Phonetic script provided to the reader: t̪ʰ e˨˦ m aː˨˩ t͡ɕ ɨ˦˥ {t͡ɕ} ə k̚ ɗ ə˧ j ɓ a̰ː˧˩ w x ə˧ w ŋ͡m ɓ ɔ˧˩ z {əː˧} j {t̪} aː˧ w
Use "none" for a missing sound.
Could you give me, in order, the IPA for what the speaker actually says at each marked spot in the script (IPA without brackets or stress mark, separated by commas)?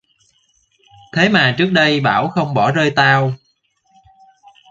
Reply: none, əː˧, t̪